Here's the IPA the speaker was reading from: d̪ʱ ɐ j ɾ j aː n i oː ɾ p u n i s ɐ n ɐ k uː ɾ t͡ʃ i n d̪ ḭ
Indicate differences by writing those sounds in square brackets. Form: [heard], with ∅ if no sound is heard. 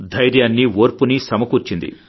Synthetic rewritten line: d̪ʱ ɐ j ɾ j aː [nː] i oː ɾ p u n i s ɐ [m] ɐ k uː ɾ t͡ʃ i n d̪ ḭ